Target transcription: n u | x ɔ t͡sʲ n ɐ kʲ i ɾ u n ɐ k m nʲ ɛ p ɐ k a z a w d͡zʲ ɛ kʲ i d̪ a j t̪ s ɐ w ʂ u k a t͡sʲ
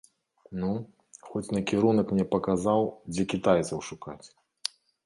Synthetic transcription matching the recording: n u | x ɔ t͡sʲ n ɐ kʲ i ɾ u n ɐ k m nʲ ɛ p ɐ k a z a w d͡zʲ ɛ kʲ i t̪ a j t̪ s ɐ w ʂ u k a t͡sʲ